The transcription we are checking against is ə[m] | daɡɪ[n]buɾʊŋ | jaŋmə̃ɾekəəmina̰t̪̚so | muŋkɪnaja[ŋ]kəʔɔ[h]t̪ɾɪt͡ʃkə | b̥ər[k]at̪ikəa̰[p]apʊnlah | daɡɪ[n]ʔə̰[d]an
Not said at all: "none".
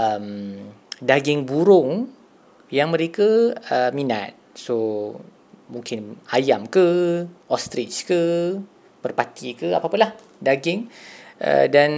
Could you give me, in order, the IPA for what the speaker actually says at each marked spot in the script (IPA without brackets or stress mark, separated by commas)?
m, ŋ, m, s, p, p, ŋ, d